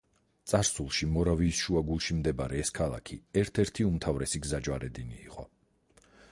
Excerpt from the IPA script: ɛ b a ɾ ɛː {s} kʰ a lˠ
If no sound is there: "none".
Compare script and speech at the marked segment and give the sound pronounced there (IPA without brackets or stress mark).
s